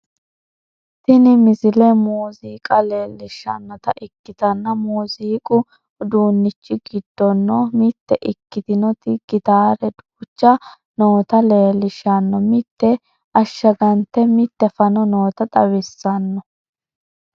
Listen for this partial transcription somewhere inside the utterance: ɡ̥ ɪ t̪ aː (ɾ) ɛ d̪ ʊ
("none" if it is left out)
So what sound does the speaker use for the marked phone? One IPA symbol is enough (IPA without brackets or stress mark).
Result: ɾ